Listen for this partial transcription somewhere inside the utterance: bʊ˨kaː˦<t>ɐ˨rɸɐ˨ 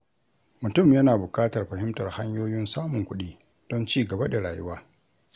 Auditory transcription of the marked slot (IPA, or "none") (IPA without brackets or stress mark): t